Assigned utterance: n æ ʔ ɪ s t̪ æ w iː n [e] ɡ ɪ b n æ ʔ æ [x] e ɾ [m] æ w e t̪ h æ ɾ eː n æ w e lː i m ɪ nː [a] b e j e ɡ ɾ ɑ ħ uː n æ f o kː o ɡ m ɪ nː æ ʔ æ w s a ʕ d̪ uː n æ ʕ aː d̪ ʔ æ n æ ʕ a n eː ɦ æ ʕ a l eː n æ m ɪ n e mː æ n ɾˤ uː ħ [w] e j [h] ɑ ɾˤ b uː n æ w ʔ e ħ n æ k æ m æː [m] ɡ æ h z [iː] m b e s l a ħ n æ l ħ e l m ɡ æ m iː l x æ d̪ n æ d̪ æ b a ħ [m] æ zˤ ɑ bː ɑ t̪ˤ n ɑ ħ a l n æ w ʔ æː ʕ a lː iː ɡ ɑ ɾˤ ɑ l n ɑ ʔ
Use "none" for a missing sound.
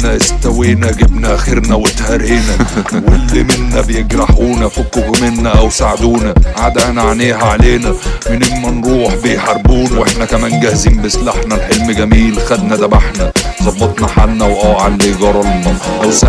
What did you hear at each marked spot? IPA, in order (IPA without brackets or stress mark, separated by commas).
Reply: æ, x, n, æ, b, ħ, n, iː, n